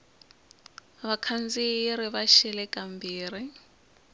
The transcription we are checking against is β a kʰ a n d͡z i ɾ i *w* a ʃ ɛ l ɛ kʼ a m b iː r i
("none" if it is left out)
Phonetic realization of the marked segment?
β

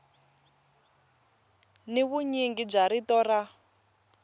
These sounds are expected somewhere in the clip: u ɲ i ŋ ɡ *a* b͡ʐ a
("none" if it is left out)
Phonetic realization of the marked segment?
i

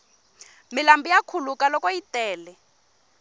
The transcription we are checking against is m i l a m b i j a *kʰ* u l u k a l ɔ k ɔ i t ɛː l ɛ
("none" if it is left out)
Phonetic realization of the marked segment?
kʰ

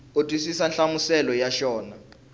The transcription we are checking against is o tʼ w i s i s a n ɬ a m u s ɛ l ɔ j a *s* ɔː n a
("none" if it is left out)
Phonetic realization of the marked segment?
ʃ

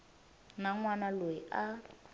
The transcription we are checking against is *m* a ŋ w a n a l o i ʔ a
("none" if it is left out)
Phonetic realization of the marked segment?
n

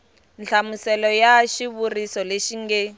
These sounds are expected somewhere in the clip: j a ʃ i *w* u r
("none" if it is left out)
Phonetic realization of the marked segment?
β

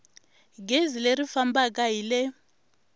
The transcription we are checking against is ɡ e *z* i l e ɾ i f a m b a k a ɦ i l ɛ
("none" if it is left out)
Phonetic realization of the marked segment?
z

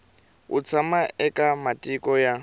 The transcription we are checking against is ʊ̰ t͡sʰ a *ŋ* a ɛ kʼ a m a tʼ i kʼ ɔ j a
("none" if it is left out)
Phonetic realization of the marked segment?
m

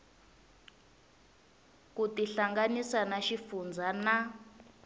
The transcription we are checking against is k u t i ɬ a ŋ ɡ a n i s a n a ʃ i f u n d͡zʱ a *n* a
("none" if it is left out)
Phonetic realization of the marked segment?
n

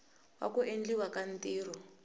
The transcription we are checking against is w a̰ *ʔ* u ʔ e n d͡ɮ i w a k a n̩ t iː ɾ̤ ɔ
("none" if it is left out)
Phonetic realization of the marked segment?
k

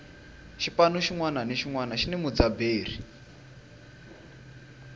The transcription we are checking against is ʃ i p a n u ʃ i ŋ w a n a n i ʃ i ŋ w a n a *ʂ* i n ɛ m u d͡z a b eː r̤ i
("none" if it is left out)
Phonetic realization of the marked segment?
ʃ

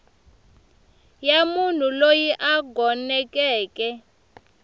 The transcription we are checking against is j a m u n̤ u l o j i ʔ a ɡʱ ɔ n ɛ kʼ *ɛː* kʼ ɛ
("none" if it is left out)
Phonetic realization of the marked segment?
ɛː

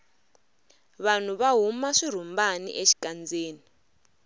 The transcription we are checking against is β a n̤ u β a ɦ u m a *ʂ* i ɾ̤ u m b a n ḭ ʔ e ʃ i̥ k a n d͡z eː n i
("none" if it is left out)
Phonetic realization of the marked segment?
ʂ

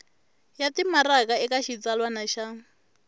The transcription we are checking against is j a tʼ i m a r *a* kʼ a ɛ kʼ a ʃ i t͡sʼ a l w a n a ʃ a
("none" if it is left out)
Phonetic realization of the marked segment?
a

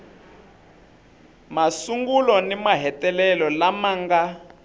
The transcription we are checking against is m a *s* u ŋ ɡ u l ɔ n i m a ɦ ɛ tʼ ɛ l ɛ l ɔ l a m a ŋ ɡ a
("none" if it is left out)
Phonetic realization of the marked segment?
s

